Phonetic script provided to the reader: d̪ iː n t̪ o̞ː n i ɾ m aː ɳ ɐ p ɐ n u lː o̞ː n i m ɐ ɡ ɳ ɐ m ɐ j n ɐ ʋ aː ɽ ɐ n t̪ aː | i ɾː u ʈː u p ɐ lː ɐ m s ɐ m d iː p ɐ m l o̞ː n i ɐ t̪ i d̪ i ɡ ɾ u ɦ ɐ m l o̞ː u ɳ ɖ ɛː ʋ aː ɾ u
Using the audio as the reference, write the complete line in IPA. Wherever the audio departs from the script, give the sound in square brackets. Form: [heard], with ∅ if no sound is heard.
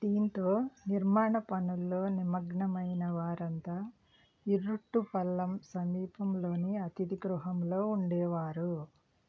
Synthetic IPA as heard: d̪ iː n t̪ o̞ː n i ɾ m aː ɳ ɐ p ɐ n u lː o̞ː n i m ɐ ɡ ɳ ɐ m ɐ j n ɐ ʋ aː [ɾ] ɐ n t̪ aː | i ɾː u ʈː u p ɐ lː ɐ m s ɐ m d iː p ɐ m l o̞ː n i ɐ t̪ i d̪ i ɡ ɾ u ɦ ɐ m l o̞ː u ɳ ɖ ɛː ʋ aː ɾ u